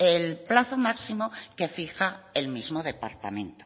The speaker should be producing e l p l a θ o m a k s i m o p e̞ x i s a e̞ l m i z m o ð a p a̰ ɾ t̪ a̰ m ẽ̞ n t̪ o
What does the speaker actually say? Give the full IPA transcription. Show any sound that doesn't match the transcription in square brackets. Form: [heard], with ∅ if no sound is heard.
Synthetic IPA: e l p l a θ o m a k s i m o [k] e̞ [f] i [x] a e̞ l m i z m o ð [e] p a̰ ɾ t̪ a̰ m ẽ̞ n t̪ o